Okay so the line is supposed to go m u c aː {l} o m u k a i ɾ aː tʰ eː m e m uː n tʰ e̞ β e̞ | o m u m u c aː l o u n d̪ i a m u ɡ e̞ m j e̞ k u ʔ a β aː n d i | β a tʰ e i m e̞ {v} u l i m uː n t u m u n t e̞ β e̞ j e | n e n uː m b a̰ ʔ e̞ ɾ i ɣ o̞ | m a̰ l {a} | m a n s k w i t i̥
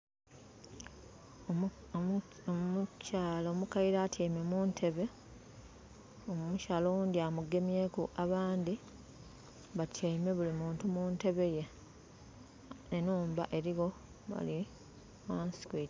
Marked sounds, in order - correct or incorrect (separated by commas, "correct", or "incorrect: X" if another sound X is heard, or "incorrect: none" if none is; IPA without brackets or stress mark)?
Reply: correct, incorrect: β, incorrect: i